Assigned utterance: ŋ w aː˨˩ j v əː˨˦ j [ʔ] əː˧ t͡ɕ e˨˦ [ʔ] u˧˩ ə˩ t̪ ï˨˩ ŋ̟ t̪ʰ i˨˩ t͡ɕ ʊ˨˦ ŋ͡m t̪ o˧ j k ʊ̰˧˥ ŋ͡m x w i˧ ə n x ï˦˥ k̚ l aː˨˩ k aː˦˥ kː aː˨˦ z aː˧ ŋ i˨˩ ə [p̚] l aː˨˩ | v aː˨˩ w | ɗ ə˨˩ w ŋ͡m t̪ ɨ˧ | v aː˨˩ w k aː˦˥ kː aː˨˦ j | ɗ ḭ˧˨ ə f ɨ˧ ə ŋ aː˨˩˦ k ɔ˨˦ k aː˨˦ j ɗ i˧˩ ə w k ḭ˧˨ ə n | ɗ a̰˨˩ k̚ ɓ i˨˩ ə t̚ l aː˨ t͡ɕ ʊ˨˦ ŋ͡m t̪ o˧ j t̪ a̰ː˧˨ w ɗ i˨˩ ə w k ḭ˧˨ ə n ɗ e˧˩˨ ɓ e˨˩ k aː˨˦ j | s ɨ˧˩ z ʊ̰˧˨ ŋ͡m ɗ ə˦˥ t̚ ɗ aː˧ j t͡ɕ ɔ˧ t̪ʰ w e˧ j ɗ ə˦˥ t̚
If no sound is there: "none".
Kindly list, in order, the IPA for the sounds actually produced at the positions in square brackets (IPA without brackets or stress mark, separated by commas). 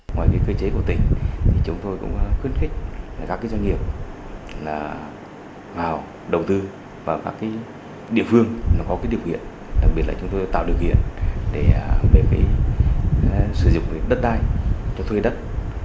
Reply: k, k, p̚